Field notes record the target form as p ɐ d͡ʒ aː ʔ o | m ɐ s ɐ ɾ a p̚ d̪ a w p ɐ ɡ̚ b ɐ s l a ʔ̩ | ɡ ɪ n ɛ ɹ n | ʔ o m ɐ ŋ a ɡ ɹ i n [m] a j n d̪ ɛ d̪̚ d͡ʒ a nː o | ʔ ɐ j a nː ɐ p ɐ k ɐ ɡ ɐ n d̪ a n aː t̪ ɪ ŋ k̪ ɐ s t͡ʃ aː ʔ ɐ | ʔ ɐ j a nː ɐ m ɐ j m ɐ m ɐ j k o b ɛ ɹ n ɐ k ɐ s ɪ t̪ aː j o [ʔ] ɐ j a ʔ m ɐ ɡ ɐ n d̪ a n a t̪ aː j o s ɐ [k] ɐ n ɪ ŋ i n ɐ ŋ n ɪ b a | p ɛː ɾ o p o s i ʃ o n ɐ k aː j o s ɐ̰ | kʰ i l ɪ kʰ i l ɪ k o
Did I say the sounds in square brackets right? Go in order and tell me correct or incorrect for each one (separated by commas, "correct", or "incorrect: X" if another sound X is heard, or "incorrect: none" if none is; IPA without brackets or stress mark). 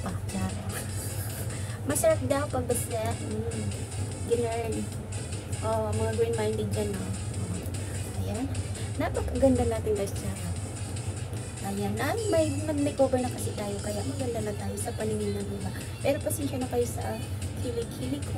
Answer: correct, incorrect: k, incorrect: p